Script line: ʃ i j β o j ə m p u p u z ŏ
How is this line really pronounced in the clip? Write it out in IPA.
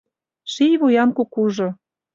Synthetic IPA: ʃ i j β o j ɑ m k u k u ʒ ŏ